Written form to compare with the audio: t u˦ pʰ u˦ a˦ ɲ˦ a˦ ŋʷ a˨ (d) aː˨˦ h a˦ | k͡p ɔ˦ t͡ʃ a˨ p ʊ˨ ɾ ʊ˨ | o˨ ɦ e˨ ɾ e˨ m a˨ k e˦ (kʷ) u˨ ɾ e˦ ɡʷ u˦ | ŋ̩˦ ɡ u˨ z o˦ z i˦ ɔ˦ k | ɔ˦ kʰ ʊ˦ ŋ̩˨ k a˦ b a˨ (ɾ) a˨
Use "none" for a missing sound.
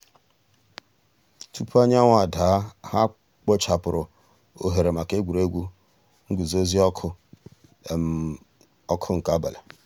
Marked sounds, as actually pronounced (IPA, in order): d, ɡʷ, l

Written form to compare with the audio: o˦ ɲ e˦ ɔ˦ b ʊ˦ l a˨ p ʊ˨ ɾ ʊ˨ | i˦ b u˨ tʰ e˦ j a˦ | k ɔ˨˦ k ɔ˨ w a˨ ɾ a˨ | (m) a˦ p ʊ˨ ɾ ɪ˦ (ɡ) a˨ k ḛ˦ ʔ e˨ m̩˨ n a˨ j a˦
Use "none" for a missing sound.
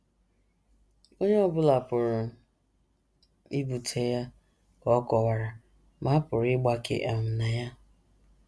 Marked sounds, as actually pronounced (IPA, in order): m, ɡ͡b

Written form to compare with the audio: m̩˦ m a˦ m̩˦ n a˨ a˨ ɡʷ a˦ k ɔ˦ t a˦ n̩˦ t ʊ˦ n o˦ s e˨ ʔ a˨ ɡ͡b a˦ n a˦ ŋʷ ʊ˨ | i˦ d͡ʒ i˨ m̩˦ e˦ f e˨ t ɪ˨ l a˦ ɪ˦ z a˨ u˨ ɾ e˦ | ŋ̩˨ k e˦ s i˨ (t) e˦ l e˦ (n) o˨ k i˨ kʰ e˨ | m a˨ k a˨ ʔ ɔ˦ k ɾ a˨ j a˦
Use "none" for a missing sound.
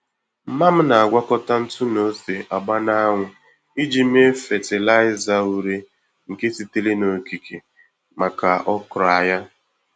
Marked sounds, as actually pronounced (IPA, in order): t, n

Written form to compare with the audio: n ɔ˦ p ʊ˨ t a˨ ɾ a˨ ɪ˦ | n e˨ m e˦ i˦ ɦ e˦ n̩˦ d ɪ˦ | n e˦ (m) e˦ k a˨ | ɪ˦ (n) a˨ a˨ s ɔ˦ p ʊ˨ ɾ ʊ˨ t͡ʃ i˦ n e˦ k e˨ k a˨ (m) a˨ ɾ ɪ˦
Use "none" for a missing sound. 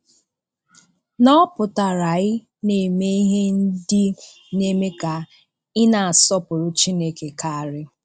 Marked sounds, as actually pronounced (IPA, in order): m, n, none

